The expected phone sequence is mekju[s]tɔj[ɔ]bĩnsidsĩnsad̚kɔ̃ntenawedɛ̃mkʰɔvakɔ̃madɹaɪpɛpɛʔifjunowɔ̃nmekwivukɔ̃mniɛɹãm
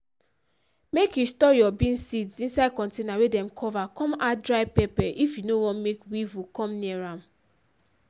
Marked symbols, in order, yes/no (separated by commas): yes, yes